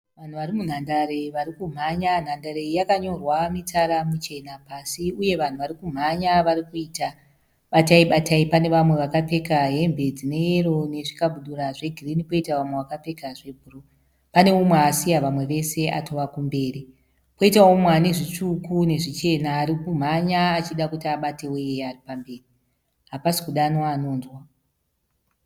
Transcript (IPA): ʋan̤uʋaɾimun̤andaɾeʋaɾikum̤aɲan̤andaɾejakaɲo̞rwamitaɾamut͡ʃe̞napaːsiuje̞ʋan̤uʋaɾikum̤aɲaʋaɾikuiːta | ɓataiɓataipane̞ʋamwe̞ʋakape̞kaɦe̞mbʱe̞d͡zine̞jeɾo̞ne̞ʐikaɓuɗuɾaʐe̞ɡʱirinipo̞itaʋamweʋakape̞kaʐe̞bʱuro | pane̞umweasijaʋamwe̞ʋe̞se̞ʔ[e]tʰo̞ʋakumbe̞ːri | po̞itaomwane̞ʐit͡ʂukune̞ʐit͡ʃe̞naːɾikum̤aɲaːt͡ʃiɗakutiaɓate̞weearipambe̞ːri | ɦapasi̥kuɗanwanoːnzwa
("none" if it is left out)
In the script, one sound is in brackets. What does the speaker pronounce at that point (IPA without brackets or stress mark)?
a